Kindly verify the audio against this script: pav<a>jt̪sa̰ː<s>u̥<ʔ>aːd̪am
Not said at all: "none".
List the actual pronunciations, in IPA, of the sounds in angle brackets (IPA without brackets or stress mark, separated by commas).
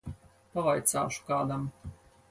a, ʃ, k